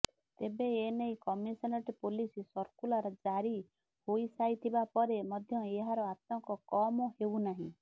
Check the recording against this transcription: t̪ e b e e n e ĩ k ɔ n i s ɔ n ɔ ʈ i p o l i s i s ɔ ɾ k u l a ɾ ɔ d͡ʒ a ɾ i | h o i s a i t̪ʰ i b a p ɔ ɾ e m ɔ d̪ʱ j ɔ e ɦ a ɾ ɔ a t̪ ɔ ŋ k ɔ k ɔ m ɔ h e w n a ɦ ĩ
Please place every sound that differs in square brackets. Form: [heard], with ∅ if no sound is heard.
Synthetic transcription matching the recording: t̪ e b e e n e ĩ k ɔ [m] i s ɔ n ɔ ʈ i p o l i s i s ɔ ɾ k u l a ɾ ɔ d͡ʒ a ɾ i | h o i s a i t̪ʰ i b a p ɔ ɾ e m ɔ d̪ʱ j ɔ e ɦ a ɾ ɔ a t̪ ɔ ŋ k ɔ k ɔ m ɔ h e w n a ɦ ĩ